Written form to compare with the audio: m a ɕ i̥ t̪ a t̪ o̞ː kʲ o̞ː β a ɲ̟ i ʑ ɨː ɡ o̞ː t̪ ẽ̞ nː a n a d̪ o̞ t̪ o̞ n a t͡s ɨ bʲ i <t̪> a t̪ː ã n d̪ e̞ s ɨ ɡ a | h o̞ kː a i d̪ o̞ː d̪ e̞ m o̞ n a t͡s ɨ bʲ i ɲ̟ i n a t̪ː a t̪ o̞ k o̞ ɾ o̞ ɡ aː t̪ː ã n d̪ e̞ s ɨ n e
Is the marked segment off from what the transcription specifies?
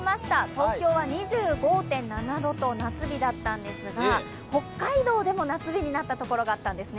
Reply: yes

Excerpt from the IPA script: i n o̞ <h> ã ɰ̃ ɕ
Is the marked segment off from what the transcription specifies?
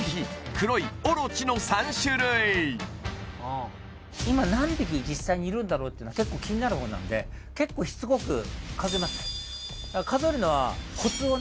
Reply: yes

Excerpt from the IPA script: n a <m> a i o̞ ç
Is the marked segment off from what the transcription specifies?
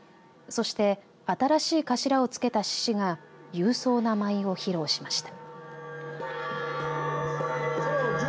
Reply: no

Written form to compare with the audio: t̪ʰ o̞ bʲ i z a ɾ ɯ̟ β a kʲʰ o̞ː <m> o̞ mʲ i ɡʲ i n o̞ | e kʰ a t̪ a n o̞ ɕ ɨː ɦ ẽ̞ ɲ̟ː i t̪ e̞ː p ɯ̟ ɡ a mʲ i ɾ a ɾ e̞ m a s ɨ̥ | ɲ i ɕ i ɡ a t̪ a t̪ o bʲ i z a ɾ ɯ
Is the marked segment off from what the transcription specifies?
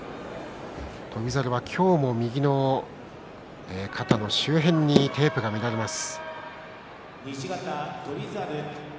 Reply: no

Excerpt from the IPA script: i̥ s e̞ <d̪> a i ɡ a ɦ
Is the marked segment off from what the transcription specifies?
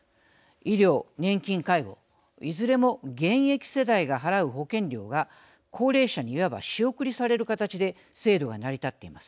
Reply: no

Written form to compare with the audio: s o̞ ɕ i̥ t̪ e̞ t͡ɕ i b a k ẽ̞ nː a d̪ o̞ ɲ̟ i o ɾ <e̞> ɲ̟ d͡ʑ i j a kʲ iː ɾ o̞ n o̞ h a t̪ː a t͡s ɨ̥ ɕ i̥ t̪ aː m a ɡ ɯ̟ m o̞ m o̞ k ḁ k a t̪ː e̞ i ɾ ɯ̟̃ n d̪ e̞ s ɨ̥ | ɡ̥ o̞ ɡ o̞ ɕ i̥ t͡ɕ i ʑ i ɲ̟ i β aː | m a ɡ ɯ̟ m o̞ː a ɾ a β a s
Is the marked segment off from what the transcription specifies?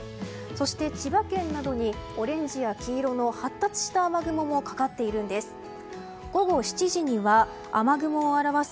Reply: yes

